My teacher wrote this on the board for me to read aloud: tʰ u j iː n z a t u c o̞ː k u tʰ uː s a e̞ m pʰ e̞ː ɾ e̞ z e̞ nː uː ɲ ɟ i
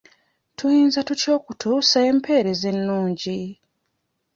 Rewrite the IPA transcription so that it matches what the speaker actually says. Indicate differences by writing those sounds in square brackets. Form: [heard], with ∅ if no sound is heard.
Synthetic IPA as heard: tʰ u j iː n z a t u c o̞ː k u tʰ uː s a e̞ m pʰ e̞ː ɾ e̞ z e̞ nː uː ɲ ɟ i

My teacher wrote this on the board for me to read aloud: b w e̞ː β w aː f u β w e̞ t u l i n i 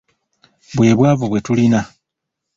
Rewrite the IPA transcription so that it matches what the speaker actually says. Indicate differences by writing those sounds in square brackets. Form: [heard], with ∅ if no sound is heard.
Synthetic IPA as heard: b w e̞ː β w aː [v] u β w e̞ t u l i n [a]

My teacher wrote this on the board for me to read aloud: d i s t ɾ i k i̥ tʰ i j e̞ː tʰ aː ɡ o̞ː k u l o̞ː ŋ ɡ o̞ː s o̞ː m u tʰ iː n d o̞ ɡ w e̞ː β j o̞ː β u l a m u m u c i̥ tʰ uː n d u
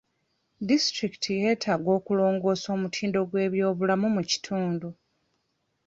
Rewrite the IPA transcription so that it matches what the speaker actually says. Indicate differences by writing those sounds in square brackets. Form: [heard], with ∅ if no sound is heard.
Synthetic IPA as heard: d i s t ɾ i k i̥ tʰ i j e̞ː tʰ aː ɡ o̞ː k u l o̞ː ŋ ɡ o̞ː s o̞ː m u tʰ iː n d o̞ ɡ w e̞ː β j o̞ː β u l a m u m u c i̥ tʰ uː n d u

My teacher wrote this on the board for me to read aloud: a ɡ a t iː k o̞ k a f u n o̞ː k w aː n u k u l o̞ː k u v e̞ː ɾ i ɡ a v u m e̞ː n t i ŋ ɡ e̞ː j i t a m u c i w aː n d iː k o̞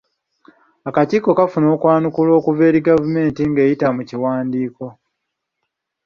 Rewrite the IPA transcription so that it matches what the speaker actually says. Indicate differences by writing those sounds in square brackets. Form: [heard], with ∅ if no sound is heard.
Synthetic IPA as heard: a [k] a t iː k o̞ k a f u n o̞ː k w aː n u k u l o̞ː k u v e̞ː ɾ i ɡ a v u m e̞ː n t i ŋ ɡ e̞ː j i t a m u c i w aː n d iː k o̞

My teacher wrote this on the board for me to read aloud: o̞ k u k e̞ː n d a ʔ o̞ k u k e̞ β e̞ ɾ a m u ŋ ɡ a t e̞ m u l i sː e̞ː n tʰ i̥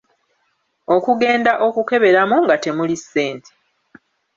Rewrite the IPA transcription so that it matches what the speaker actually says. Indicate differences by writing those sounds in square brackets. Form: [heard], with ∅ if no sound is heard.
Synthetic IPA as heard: o̞ k u [ɡ] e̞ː n d a ʔ o̞ k u k e̞ β e̞ ɾ a m u ŋ ɡ a t e̞ m u l i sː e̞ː n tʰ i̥

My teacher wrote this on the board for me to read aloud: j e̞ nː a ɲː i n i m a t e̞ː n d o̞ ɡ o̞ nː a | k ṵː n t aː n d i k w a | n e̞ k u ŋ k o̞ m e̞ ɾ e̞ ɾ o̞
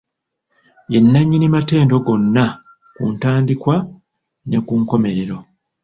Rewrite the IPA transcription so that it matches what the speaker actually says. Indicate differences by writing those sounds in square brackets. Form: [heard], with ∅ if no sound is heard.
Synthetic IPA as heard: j e̞ nː a ɲː i n i m a t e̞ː n d o̞ ɡ o̞ nː a | k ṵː n t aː n d i k w a | n e̞ k u ŋ k o̞ m e̞ ɾ e̞ ɾ o̞

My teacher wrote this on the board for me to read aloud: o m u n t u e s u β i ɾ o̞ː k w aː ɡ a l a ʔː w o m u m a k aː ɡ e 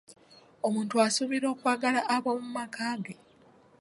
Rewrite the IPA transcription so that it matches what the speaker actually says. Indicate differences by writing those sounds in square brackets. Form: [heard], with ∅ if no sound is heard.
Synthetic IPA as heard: o m [uː] n t u [a] s u β i ɾ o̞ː k w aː ɡ a l a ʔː [β] o m u m a k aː ɡ e

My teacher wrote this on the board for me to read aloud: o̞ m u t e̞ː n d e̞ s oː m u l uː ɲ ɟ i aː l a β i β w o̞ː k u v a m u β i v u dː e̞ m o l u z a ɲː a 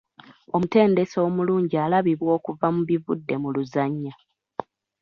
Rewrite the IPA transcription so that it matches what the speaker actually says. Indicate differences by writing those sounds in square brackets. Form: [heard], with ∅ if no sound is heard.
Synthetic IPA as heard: o̞ m u t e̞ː n d e̞ s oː m u l uː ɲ ɟ i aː l a β i β w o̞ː k u v a m u β i v u dː e̞ m [u] l u z a ɲː a

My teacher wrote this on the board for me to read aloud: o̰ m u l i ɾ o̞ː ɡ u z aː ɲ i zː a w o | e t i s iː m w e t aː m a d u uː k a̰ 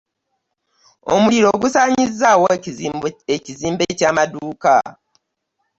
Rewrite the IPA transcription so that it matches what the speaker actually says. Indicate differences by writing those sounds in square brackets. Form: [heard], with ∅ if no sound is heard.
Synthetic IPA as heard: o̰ m u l i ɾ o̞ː ɡ u [s] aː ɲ i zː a w o | e [c] i [z] iː m [b] e [c] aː m a d u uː k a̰

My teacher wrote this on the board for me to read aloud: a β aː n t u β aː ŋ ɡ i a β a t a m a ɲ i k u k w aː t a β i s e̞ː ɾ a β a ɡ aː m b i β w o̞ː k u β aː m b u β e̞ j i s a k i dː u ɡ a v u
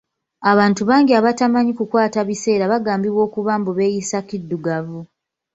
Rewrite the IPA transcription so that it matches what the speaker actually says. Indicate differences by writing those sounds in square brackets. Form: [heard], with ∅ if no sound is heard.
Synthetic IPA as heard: a β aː n t u β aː ŋ ɡ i a β a t a m a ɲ i k u k w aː t a β i s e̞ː ɾ a β a ɡ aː m b i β w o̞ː k u β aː m b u β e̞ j i s a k i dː u ɡ a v u

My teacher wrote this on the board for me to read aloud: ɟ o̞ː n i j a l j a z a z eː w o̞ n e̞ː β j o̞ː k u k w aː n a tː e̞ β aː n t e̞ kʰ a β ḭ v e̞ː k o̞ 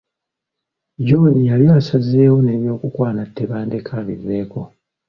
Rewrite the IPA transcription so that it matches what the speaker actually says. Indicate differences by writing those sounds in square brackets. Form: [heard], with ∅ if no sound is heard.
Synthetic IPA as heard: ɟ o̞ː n i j a l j a [s] a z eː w o̞ n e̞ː β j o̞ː k u k w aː n a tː e̞ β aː n [d] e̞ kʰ a β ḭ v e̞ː k o̞

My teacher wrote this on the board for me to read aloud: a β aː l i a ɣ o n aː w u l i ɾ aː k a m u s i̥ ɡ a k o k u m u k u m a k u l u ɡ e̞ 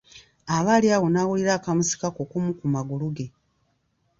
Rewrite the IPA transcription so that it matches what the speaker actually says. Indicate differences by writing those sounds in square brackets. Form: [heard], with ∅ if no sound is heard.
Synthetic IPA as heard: a β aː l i a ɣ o n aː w u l i ɾ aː k a m u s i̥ [k] a k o k u m u k u m a [ɡ] u l u ɡ e̞

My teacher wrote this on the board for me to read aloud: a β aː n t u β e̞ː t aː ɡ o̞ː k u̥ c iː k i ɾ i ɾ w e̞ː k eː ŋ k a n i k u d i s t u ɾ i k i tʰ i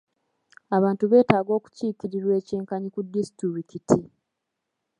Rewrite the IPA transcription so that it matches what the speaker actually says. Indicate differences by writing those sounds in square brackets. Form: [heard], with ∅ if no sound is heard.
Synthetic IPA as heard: a β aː n t u β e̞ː t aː ɡ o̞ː k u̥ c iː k i ɾ i ɾ w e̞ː [c] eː ŋ k a [ɲ] i k u d i s t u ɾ i k i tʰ i

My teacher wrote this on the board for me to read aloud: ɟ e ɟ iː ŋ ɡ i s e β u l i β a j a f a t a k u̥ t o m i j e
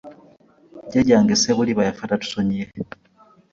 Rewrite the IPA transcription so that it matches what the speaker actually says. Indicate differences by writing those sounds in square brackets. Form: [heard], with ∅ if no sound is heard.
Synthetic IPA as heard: ɟ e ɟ [aː] ŋ ɡ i s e β u l i β a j a f a t a [t] u̥ [s] o [ɲ] i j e

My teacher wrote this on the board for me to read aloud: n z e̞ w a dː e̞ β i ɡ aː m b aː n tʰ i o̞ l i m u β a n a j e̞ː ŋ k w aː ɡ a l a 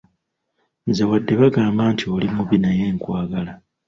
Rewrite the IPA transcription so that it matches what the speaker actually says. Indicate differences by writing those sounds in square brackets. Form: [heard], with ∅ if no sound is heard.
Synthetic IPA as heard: n z e̞ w a dː e̞ β [a] ɡ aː m b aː n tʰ i o̞ l i m u β [i] n a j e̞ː ŋ k w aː ɡ a l a

